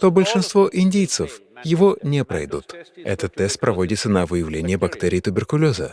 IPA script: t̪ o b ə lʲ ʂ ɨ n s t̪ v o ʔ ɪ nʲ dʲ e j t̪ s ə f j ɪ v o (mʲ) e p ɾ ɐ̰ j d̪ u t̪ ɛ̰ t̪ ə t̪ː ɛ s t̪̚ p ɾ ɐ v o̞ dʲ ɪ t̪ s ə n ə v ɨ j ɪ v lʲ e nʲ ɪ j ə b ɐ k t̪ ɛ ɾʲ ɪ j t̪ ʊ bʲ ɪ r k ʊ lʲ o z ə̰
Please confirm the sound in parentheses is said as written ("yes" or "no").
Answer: no